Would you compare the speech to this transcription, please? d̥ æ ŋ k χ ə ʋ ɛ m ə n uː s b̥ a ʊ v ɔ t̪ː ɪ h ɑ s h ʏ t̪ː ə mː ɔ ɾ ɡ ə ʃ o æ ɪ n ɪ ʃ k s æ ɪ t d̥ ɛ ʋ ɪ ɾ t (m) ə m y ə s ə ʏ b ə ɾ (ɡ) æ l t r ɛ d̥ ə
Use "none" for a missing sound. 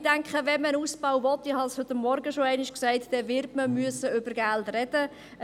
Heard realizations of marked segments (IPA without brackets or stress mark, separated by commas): m, ɡ